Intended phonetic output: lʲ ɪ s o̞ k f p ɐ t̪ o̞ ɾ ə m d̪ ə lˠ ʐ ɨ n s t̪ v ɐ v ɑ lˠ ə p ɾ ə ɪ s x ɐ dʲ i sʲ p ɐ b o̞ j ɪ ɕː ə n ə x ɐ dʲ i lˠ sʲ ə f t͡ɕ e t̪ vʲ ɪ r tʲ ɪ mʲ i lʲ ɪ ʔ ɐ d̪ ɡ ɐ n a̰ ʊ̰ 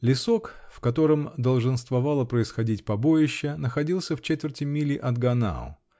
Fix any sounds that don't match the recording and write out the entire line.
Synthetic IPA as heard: lʲ ɪ s o̞ k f k ɐ t̪ o̞ ɾ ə m d̪ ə lˠ ʐ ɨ n s t̪ v ɐ v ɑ lˠ ə p ɾ ə ɪ s x ɐ dʲ i tʲ p ɐ b o̞ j ɪ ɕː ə n ə x ɐ dʲ i lˠ sʲ ə f t͡ɕ e t̪ vʲ ɪ r tʲ ɪ mʲ i lʲ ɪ ʔ ɐ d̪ ɡ ɐ n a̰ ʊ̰